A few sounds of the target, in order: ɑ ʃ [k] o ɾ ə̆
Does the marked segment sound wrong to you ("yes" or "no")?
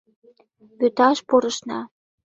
yes